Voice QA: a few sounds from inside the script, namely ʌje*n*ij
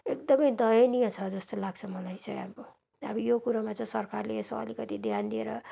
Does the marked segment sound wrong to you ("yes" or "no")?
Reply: no